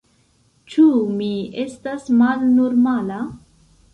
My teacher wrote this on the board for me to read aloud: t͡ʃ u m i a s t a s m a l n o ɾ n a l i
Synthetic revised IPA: t͡ʃ u m i e s t a s m a l n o ɾ m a l a